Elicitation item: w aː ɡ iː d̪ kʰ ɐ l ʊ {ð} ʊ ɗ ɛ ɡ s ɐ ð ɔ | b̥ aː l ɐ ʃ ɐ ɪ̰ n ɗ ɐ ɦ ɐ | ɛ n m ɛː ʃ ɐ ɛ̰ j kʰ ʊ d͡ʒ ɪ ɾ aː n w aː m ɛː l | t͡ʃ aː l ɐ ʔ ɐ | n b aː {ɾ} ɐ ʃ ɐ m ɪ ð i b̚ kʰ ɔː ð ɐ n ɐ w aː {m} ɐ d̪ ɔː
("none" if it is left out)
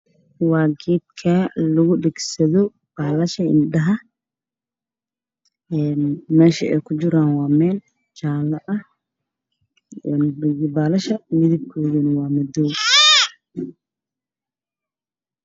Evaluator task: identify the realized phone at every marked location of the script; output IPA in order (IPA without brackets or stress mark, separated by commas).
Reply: ɣ, l, m